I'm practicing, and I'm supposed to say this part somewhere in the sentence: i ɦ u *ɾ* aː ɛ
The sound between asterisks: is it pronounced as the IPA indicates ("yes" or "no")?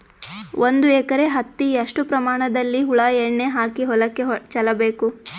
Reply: no